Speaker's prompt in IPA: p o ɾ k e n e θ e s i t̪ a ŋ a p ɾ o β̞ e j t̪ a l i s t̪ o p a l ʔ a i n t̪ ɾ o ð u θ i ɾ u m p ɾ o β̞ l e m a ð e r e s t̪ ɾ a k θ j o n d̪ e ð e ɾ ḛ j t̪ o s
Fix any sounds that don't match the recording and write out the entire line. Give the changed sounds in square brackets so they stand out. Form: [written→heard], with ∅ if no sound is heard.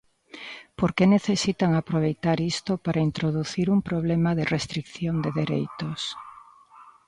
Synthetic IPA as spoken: p o ɾ k e n e θ e s i t̪ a ŋ a p ɾ o β̞ e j t̪ a [l→ɾ] i s t̪ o p a [l→ɾ] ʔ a i n t̪ ɾ o ð u θ i ɾ u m p ɾ o β̞ l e m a ð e r e s t̪ ɾ [a→i] k θ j o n d̪ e ð e ɾ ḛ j t̪ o s